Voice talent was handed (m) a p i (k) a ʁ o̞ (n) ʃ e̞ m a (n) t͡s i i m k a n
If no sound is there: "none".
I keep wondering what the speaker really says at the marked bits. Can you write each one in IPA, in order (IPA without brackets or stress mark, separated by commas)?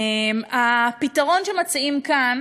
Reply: m, t, n, none